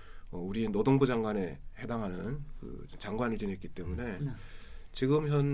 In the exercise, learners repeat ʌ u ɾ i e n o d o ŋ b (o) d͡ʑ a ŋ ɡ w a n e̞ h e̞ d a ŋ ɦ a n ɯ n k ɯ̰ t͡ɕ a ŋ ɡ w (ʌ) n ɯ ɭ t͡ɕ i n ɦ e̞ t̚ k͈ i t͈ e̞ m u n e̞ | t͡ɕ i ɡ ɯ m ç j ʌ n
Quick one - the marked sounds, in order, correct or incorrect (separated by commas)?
incorrect, incorrect